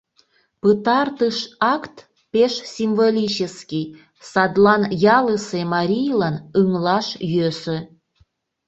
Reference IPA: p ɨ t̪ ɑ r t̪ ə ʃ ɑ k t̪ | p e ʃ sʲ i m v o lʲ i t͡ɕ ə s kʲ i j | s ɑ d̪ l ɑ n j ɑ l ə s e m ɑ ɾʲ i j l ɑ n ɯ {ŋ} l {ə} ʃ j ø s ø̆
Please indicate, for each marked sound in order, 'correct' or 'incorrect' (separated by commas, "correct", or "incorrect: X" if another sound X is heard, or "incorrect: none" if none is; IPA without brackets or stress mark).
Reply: correct, incorrect: ɑ